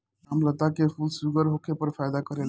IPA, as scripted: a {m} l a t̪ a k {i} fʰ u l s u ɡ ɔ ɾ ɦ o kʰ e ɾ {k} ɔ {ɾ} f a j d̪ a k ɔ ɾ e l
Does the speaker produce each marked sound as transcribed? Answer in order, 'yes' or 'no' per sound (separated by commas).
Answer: yes, no, no, yes